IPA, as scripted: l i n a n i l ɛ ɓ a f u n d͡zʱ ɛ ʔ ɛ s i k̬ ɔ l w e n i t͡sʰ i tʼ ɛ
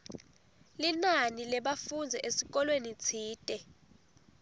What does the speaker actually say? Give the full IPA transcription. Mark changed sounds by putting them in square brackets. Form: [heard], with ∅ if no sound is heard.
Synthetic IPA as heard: l i n a n i l ɛ ɓ a f u n d͡zʱ ɛ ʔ [e] s i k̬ ɔ l w e n i t͡sʰ [iː] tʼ ɛ